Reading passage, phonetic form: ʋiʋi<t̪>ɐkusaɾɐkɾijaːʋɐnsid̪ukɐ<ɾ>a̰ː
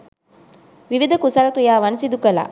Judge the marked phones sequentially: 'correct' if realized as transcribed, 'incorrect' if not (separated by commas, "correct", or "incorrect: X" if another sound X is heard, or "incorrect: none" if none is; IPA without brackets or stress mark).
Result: incorrect: d̪, incorrect: l